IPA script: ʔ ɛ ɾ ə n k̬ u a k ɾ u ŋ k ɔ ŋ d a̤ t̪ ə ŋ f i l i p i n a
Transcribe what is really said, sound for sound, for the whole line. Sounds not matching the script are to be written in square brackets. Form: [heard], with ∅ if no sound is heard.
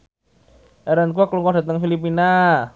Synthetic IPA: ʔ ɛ ɾ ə n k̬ u a k [l] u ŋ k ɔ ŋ d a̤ t̪ ə ŋ f i l i p i n a